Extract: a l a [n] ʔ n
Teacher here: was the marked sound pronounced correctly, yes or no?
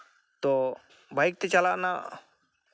no